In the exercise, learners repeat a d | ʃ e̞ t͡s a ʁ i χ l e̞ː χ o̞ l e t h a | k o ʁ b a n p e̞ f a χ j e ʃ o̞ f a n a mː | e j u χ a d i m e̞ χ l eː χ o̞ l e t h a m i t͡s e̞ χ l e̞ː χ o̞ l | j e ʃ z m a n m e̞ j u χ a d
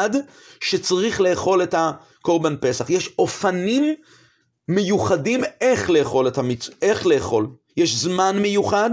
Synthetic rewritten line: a d | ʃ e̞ t͡s a ʁ i χ l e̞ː χ o̞ l e t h a | k o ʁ b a n p e̞ s a χ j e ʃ o̞ f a n i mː | e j u χ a d i m e̞ χ l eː χ o̞ l e t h a m i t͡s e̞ χ l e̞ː χ o̞ l | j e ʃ z m a n m e̞ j u χ a d